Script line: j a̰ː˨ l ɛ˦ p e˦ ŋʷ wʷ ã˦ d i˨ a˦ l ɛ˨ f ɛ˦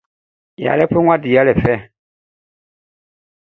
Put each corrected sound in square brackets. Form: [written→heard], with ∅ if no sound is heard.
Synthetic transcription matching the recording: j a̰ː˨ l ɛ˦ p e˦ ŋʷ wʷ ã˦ d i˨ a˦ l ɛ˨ f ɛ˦